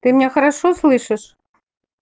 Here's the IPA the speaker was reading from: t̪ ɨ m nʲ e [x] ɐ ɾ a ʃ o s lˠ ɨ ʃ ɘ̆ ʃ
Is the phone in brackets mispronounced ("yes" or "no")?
no